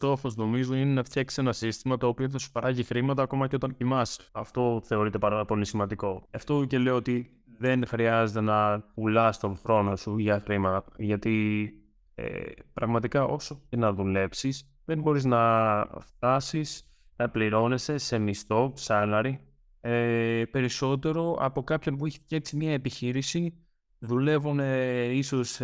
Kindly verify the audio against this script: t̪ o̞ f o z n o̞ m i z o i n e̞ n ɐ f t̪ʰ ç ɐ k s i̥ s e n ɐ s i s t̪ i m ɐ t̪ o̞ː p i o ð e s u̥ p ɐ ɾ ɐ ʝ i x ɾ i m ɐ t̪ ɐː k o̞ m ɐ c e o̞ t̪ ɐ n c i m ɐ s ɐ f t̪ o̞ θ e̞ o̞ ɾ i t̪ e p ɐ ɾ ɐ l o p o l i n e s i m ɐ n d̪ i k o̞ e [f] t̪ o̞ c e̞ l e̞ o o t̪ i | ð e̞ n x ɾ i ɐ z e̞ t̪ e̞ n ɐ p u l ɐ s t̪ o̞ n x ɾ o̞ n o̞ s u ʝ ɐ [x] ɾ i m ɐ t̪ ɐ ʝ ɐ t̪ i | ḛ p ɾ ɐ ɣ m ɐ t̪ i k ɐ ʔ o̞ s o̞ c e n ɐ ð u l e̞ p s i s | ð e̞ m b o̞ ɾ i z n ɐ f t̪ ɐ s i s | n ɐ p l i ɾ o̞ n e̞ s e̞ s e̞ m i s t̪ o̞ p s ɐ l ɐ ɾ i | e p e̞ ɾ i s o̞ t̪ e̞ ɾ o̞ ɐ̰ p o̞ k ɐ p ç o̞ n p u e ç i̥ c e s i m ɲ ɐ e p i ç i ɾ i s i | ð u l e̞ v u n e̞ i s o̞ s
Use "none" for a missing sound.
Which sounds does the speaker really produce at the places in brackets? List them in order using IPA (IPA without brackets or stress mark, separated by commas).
f, x